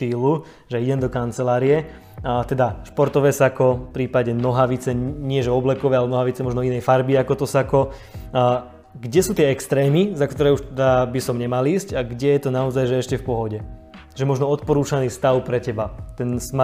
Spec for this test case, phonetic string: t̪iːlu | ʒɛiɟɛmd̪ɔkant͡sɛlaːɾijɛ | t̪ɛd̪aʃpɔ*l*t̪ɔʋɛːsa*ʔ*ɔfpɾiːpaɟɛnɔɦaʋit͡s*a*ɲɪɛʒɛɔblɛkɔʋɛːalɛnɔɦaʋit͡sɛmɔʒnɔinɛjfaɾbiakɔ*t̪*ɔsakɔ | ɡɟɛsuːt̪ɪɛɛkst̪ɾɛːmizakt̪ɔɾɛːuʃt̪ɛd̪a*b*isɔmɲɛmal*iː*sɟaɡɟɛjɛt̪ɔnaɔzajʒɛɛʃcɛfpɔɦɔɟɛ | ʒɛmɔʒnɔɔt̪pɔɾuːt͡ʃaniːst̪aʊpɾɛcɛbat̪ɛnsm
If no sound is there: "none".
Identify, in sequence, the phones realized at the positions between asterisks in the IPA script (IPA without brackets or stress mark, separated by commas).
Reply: ɾ, k, ɛ, t̪, b, iː